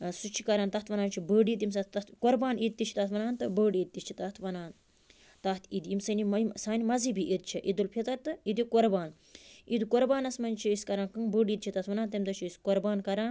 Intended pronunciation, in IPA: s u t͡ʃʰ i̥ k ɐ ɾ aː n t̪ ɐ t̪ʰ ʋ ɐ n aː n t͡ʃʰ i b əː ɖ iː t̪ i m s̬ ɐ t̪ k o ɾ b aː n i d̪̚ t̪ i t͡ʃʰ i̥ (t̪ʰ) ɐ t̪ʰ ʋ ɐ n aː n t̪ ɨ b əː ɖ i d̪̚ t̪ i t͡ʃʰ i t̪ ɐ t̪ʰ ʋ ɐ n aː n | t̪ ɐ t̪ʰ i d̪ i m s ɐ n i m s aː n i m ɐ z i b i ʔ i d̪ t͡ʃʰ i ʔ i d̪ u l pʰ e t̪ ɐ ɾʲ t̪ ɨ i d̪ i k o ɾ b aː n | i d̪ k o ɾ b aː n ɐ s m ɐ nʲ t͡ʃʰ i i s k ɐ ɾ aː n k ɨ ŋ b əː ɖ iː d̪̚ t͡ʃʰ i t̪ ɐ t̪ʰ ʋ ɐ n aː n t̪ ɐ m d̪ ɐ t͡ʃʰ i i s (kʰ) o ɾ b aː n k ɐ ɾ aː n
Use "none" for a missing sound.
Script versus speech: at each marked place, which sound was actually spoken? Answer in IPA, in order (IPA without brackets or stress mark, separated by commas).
t̪, k